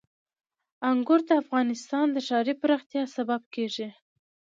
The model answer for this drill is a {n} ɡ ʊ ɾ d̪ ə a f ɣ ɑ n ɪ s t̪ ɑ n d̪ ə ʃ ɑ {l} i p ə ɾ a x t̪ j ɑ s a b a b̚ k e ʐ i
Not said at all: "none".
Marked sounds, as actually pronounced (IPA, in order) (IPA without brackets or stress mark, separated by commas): ŋ, ɾ